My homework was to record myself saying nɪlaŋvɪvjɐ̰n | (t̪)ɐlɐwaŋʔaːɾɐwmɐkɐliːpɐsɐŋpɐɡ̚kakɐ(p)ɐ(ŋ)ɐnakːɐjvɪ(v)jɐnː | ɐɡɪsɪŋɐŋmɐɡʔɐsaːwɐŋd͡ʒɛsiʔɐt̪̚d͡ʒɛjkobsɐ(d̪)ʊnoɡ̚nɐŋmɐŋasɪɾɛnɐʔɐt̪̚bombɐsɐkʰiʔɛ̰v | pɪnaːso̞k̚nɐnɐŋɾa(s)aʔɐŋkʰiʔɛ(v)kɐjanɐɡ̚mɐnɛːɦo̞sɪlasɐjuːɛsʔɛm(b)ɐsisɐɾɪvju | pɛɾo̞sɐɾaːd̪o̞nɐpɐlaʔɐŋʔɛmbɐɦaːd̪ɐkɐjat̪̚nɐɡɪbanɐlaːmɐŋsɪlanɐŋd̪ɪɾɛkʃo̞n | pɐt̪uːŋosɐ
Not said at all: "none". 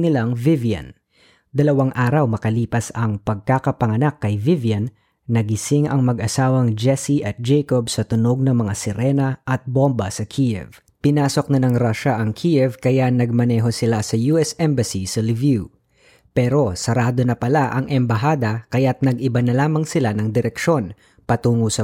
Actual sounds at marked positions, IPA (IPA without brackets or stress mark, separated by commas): d̪, p, ŋ, v, t̪, ʃ, v, b